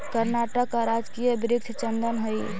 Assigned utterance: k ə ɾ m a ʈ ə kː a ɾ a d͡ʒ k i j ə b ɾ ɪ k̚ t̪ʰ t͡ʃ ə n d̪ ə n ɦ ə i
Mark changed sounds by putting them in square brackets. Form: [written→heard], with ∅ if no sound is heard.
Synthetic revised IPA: k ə ɾ [m→n] a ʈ ə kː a ɾ a d͡ʒ k i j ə b ɾ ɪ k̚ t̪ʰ t͡ʃ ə n d̪ ə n ɦ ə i